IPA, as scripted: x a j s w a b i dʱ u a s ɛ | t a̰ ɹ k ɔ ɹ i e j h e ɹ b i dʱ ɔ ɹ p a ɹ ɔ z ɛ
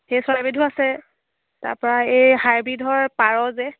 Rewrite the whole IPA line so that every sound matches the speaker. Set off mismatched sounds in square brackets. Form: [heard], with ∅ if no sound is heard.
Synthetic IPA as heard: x [e] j s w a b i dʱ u a s ɛ | t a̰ ɹ [p] ɔ ɹ [a] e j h [a] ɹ b i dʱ ɔ ɹ p a ɹ ɔ z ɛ